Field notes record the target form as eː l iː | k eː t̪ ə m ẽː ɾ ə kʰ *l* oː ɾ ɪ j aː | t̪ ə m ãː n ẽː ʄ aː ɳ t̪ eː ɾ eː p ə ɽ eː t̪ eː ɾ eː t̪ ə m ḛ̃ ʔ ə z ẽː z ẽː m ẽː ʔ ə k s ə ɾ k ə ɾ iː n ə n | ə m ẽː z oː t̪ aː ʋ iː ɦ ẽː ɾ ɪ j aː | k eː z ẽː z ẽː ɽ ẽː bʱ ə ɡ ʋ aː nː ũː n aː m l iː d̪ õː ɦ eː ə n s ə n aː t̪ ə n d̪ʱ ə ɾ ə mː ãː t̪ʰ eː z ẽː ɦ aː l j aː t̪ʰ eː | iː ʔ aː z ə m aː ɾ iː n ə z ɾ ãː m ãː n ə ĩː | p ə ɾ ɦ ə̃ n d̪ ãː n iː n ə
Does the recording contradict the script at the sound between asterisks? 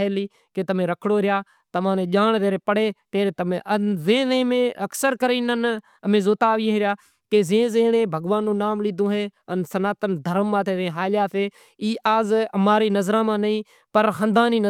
yes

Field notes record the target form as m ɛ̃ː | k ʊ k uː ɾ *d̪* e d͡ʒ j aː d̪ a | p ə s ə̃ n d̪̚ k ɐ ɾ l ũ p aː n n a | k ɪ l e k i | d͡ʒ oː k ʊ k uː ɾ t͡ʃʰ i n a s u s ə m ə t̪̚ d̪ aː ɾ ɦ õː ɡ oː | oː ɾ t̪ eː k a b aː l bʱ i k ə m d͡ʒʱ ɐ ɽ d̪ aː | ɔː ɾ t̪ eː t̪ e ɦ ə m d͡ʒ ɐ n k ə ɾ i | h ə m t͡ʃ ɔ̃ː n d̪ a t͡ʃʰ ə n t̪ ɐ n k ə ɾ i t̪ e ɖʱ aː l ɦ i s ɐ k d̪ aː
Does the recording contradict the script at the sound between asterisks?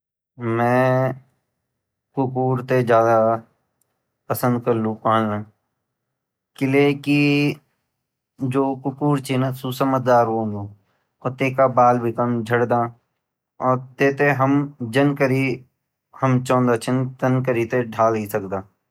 yes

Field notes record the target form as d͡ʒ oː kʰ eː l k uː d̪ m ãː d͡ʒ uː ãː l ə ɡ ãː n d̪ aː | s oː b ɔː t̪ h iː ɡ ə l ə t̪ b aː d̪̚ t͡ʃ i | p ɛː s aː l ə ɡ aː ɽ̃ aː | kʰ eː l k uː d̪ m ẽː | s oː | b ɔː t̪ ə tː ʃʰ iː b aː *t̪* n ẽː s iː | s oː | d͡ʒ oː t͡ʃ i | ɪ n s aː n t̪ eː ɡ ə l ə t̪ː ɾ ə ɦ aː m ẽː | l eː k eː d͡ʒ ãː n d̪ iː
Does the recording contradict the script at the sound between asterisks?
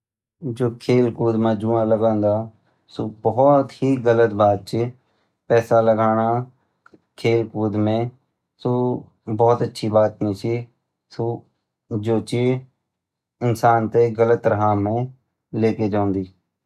no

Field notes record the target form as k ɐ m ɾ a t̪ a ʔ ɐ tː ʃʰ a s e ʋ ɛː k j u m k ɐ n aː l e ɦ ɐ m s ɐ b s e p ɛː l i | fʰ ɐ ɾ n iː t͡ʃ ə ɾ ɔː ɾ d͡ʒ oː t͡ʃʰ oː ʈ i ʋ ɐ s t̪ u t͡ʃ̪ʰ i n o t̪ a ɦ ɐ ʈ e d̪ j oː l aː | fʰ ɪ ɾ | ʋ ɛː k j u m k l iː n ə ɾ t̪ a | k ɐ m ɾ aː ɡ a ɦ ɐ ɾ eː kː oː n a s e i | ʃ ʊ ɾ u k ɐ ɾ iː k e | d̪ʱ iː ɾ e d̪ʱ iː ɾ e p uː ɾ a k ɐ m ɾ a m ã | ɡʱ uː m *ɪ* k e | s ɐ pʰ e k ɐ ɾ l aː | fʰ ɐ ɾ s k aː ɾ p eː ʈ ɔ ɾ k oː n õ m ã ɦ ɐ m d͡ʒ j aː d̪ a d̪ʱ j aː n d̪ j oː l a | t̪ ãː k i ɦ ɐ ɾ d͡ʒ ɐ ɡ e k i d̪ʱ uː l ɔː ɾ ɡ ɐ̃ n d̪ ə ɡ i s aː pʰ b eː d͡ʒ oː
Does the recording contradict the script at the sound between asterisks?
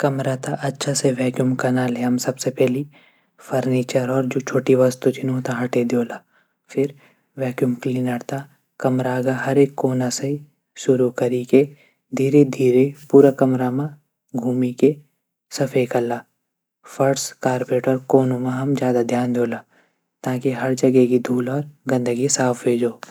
yes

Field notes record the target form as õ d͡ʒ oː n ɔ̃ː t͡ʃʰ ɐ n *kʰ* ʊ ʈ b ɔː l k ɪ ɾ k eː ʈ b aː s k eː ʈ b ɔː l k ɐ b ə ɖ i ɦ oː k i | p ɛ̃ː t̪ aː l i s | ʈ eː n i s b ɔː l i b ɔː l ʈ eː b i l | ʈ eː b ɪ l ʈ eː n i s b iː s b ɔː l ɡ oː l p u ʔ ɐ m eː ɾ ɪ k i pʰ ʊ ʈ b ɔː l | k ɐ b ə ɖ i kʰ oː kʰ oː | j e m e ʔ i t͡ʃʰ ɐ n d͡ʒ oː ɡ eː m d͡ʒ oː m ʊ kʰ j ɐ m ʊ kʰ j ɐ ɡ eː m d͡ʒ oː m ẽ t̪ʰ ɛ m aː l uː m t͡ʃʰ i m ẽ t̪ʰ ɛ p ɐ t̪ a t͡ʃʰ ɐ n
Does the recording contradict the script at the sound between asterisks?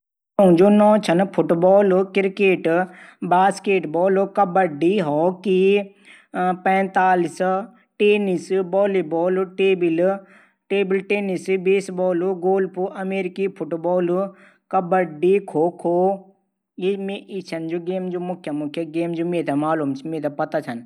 yes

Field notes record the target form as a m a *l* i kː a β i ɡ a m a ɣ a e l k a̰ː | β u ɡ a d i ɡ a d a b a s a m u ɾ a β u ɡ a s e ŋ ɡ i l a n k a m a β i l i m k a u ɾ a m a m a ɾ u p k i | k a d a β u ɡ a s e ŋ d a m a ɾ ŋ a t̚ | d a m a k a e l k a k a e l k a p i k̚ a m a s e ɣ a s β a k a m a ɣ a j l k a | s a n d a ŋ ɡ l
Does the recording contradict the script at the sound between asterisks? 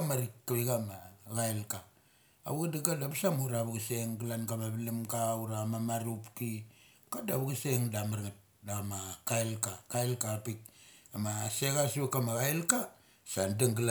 yes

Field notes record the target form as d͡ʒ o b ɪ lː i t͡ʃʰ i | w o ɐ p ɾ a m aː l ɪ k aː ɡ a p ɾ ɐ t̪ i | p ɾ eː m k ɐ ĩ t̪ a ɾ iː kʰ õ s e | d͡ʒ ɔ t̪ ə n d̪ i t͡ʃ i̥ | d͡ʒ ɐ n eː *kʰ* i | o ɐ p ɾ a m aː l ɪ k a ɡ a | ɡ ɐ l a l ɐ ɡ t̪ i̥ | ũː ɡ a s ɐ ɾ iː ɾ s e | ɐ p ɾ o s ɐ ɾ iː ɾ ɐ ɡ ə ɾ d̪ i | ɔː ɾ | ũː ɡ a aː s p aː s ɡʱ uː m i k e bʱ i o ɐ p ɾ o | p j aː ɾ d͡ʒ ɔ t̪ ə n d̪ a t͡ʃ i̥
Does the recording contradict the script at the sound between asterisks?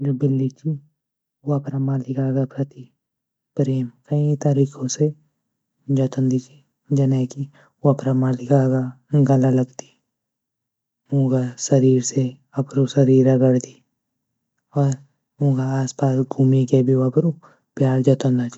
yes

